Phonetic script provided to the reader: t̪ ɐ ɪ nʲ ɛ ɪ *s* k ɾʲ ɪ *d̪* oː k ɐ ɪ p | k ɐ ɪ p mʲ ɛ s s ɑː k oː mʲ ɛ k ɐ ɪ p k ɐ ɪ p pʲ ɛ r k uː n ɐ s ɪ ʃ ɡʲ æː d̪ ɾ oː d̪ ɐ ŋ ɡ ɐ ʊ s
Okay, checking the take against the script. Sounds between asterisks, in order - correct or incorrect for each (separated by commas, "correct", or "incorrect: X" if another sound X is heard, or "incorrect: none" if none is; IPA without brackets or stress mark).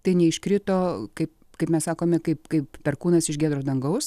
incorrect: ʃ, incorrect: t̪